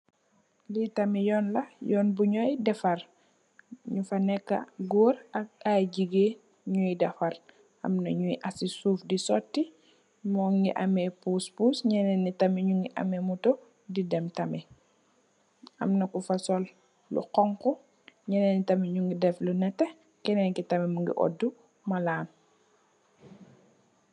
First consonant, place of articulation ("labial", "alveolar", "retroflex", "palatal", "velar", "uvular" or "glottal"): alveolar